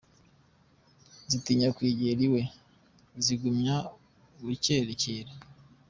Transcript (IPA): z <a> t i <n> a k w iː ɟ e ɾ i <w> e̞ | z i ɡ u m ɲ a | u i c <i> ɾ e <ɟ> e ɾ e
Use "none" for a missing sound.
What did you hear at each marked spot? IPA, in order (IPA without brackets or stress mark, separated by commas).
i, ɲ, w, e, c